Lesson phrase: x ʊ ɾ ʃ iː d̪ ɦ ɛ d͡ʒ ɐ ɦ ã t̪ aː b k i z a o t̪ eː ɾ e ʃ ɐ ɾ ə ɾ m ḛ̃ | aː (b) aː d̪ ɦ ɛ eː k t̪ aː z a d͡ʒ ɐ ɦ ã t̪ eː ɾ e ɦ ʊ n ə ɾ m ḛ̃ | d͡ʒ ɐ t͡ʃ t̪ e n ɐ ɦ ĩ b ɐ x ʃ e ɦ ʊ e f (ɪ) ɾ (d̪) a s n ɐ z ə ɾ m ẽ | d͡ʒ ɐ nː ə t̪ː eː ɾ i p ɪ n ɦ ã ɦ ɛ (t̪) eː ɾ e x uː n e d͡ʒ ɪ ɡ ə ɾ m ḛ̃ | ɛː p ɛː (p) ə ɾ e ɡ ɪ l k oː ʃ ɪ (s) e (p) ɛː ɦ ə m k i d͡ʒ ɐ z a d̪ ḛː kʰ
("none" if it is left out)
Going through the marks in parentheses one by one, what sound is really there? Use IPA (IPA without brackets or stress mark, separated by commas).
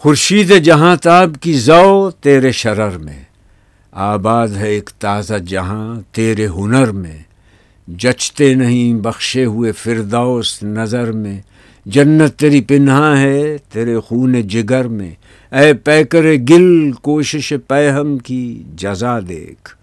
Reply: b, ɪ, d̪, t̪, k, ʃ, p